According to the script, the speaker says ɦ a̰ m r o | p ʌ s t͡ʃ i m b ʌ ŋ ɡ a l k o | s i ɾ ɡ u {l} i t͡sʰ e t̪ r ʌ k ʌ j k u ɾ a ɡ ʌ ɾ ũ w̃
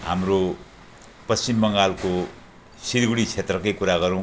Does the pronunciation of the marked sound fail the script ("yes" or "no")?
yes